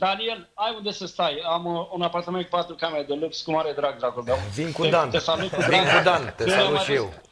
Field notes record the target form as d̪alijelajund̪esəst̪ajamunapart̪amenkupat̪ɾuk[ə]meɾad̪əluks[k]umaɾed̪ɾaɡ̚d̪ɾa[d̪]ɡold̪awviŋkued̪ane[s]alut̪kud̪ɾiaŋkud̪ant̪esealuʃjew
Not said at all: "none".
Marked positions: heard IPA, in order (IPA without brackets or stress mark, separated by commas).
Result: a, k, none, s